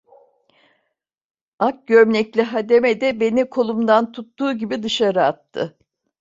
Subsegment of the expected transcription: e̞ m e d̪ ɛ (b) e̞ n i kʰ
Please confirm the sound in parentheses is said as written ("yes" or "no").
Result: yes